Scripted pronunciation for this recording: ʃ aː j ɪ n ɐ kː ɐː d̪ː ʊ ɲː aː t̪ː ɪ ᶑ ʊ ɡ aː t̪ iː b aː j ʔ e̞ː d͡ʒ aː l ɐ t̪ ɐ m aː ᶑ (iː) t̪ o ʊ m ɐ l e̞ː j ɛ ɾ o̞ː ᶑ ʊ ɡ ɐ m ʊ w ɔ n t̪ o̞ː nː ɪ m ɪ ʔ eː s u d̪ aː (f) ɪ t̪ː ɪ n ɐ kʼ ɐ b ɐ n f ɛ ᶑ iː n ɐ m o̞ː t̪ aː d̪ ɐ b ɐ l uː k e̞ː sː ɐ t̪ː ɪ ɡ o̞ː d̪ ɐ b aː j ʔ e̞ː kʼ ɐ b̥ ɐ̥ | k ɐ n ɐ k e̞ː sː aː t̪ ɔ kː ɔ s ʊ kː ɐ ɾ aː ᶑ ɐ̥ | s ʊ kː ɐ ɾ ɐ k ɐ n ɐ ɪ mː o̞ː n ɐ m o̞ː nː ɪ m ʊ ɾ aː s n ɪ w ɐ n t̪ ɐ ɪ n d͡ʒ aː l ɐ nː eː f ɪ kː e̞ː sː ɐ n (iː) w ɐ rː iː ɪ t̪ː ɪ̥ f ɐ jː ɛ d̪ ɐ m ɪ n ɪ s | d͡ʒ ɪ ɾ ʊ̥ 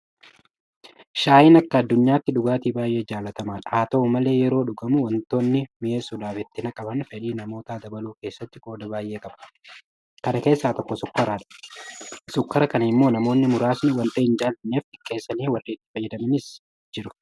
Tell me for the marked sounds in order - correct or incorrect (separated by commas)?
incorrect, correct, correct